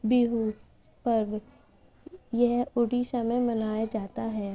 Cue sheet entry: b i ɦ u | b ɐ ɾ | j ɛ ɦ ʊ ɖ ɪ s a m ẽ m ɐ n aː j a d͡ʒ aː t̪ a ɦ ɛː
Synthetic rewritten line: b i ɦ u | p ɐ ɾ | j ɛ ɦ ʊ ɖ i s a m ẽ m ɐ n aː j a d͡ʒ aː t̪ a ɦ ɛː